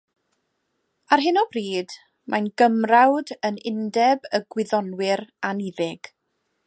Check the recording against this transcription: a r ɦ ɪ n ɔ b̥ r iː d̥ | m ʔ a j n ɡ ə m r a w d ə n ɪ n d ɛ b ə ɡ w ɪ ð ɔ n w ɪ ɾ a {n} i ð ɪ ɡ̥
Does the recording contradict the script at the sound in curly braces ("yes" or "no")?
no